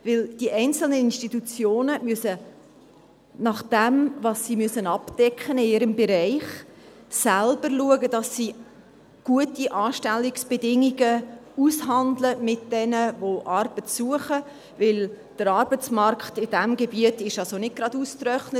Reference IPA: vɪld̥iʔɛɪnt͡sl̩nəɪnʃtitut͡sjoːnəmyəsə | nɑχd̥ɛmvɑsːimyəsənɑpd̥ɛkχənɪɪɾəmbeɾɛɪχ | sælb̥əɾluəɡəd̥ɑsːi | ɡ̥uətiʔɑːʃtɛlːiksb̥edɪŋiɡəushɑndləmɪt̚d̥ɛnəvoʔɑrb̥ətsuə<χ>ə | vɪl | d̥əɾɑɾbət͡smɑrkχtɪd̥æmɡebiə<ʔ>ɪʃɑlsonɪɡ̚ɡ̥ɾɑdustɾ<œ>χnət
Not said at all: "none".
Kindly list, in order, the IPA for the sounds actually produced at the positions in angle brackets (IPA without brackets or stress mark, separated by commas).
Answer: χ, t, œ